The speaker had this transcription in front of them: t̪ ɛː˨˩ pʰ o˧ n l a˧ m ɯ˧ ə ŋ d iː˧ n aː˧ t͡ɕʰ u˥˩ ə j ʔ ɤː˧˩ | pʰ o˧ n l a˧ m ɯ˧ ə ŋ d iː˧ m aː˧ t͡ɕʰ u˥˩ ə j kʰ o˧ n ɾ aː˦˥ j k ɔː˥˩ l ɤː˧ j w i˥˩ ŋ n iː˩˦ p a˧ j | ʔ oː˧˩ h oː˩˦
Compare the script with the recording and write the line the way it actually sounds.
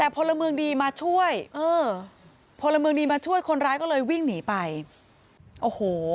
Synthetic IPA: t̪ ɛː˨˩ pʰ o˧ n l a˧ m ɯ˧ ə ŋ d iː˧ m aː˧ t͡ɕʰ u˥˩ ə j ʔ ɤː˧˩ | pʰ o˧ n l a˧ m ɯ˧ ə ŋ d iː˧ m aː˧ t͡ɕʰ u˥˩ ə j kʰ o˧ n ɾ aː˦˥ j k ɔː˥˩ l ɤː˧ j w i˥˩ ŋ n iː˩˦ p a˧ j | ʔ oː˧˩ h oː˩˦